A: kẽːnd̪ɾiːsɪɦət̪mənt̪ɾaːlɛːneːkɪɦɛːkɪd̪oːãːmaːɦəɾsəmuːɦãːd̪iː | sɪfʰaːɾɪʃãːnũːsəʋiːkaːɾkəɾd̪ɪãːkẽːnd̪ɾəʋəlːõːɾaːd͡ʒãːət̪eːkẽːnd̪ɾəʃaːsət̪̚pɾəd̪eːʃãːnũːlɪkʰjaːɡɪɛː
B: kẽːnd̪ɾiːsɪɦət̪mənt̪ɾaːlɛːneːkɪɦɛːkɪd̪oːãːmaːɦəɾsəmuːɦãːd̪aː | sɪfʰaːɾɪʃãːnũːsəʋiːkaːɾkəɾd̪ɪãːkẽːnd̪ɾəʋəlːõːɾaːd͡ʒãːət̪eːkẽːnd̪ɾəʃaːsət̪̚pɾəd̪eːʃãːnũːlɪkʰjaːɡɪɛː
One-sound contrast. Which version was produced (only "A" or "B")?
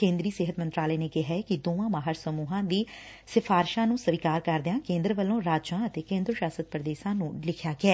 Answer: A